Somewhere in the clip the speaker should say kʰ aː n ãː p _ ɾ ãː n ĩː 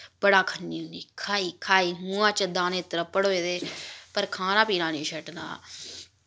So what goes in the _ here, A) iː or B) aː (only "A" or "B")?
A